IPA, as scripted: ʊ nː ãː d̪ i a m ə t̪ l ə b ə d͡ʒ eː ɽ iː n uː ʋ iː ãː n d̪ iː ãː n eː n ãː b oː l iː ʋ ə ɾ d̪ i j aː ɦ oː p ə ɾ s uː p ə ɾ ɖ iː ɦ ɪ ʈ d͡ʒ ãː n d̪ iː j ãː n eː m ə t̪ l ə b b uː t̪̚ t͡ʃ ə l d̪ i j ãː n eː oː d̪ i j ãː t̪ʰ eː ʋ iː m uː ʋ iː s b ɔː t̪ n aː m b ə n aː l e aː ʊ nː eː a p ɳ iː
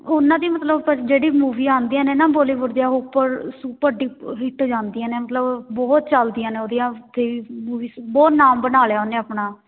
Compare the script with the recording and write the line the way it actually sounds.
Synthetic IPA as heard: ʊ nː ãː d̪ i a m ə t̪ l ə b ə d͡ʒ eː ɽ iː m uː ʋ iː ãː n d̪ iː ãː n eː n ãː b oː l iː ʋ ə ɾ d̪ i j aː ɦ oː p ə ɾ s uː p ə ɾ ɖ iː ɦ ɪ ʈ d͡ʒ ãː n d̪ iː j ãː n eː m ə t̪ l ə b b ɔː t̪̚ t͡ʃ ə l d̪ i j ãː n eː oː d̪ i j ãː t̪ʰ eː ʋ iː m uː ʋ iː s b ɔː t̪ n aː m b ə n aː l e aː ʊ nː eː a p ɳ aː